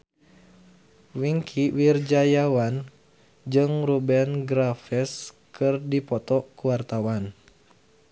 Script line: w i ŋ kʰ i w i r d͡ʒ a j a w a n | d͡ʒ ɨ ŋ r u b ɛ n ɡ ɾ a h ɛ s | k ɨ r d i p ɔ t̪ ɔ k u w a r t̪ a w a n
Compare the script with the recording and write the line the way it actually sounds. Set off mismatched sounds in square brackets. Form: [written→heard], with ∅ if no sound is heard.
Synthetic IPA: w i ŋ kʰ i w i r d͡ʒ a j a w a n | d͡ʒ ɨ ŋ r u b ɛ n ɡ ɾ a [h→f] ɛ s | k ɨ r d i p ɔ t̪ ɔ k u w a r t̪ a w a n